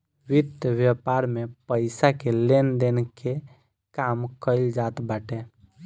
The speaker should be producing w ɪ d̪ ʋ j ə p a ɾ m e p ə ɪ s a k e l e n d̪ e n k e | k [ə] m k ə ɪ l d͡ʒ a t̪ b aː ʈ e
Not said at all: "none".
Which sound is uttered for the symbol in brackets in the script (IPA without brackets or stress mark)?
a